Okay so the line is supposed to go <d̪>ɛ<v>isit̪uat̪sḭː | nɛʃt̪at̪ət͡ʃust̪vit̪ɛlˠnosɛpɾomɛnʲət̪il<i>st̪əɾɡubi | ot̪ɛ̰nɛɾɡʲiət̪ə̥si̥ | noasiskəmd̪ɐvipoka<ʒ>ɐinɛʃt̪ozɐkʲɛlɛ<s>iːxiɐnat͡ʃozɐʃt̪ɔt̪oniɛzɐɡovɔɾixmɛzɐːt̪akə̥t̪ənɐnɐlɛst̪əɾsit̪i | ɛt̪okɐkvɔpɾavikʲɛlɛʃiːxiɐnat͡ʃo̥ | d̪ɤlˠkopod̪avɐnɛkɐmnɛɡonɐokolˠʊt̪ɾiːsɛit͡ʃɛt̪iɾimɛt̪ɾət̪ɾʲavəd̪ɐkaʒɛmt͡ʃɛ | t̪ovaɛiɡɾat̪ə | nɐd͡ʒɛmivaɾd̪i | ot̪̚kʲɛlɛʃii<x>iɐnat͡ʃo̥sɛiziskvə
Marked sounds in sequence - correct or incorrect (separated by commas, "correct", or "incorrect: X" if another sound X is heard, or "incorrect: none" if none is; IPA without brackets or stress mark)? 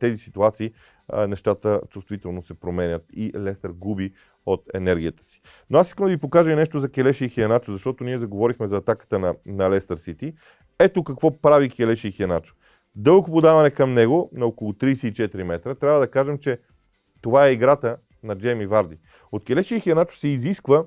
incorrect: t̪, incorrect: z, incorrect: ɛ, correct, incorrect: ʃ, correct